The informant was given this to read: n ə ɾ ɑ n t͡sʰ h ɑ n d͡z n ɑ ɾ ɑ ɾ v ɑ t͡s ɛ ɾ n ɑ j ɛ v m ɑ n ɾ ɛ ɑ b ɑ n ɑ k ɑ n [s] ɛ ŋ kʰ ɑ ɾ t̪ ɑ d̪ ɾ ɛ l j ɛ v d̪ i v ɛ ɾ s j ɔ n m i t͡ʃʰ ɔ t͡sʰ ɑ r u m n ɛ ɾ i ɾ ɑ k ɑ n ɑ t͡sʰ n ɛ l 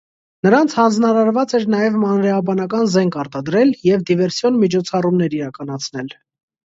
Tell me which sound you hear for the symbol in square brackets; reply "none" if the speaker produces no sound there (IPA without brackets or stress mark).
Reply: z